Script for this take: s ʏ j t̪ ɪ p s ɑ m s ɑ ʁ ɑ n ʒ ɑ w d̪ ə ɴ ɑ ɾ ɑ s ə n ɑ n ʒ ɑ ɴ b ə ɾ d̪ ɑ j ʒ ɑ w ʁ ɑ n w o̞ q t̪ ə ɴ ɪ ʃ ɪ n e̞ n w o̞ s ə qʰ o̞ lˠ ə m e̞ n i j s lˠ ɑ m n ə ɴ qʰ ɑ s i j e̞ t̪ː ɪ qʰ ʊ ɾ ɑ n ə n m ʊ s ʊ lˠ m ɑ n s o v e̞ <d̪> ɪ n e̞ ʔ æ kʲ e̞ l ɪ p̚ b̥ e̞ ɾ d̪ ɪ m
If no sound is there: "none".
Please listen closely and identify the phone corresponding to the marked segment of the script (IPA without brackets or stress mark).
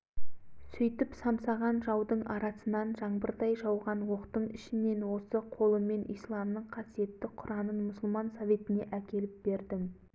t̪